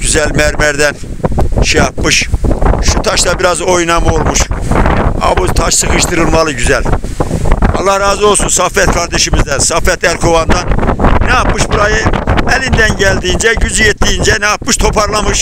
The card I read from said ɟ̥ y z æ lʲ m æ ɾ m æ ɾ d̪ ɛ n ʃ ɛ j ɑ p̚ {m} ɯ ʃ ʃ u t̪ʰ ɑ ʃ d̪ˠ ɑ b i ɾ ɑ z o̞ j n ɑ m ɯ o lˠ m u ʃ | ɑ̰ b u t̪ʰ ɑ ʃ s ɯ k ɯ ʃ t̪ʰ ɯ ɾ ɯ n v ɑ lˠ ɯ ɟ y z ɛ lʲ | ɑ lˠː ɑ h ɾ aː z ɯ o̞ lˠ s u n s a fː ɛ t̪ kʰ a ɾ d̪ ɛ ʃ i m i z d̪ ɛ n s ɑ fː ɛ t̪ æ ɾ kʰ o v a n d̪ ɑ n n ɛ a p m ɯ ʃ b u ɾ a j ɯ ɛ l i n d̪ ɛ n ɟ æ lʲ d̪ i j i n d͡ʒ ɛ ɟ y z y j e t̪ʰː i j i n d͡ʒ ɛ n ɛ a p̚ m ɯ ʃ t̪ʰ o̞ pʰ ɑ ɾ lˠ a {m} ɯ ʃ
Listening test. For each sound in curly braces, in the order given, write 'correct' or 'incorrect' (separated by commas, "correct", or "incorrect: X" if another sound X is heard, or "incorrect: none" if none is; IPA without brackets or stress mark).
correct, correct